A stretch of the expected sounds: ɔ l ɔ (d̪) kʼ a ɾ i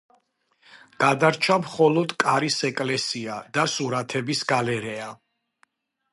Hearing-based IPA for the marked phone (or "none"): d̪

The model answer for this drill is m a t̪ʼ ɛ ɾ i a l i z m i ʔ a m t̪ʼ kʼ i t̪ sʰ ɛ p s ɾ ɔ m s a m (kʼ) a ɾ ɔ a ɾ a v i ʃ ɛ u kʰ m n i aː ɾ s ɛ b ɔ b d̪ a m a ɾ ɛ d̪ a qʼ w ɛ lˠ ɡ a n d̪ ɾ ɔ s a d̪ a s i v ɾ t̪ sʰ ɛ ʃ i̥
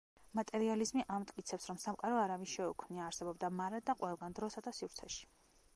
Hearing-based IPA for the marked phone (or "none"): qʼ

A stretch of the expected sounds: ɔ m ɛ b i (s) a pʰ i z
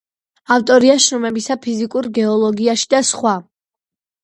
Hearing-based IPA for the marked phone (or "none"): s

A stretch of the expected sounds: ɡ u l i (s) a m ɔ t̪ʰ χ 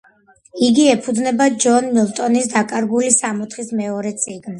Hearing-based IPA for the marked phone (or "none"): s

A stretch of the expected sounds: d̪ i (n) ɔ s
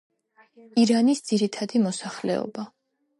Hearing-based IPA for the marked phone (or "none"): m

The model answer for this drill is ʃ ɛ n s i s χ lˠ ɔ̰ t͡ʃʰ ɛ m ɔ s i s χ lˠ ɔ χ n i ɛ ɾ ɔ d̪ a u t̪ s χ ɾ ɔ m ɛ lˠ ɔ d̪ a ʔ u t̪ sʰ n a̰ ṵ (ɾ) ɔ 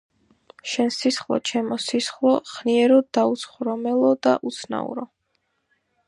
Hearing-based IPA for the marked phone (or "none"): ɾ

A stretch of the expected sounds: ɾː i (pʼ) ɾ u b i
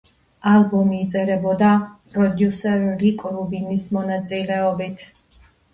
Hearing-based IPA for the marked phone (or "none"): kʼ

